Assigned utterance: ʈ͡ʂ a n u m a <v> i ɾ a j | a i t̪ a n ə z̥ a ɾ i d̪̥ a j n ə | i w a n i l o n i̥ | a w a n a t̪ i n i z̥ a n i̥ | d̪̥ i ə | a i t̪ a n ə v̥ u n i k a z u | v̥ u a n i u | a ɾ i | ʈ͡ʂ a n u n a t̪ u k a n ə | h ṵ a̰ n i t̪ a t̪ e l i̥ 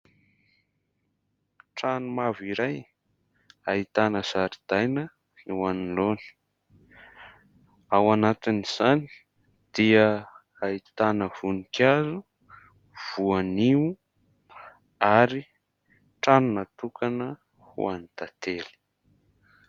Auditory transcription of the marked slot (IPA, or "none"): v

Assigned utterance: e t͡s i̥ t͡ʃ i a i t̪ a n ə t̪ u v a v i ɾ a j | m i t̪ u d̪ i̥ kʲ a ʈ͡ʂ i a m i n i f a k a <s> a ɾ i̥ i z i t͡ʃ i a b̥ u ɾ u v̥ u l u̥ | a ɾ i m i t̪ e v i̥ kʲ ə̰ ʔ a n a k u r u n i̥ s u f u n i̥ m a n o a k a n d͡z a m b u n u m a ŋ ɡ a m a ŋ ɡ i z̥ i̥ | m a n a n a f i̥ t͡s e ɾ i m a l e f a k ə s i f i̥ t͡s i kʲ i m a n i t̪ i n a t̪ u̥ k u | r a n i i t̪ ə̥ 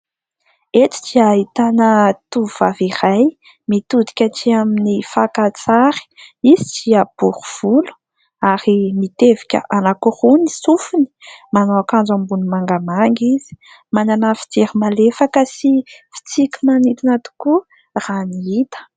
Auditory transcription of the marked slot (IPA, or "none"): t͡s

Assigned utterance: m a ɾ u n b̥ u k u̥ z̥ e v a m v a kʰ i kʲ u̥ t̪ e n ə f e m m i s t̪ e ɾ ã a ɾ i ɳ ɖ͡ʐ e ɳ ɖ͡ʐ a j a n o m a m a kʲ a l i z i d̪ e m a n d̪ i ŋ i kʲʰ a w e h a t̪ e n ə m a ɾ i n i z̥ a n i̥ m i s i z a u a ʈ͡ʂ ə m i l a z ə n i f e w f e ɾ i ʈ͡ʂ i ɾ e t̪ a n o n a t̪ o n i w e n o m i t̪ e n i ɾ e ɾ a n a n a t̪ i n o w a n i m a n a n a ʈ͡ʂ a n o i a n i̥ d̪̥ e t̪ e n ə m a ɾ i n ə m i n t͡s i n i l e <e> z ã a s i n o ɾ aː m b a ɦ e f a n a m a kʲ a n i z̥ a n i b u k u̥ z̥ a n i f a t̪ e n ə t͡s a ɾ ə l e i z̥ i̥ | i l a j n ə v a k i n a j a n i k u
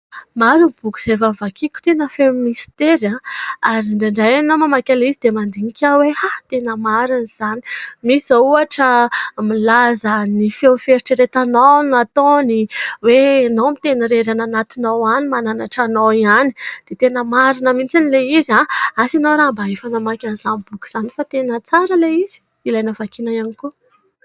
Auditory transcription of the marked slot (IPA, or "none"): i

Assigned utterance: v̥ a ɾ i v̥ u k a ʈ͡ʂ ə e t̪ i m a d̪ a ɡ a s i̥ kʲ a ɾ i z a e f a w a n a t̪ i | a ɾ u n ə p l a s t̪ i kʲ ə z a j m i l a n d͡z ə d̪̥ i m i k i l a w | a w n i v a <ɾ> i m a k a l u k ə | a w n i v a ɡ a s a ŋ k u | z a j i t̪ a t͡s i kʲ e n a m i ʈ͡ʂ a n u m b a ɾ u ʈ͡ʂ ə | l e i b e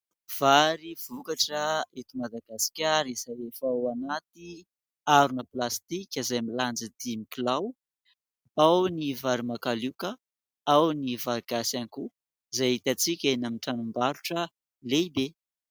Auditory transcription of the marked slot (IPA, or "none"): ɾ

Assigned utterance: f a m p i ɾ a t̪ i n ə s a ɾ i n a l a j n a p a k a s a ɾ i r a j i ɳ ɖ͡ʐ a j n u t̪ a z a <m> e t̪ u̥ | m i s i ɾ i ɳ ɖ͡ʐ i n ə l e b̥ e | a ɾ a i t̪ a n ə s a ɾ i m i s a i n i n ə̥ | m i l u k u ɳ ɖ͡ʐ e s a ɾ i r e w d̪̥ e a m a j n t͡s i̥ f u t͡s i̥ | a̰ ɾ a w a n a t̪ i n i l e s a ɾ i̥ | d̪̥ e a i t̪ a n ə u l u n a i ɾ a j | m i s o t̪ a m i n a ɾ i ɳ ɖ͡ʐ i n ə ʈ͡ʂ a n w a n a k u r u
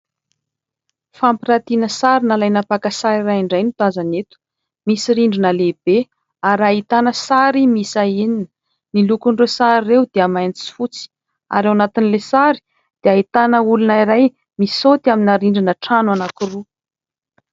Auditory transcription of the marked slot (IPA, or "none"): n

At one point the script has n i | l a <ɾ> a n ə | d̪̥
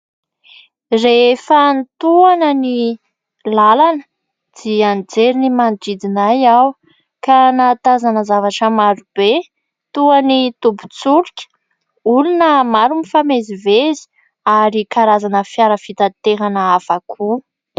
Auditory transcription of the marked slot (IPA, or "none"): l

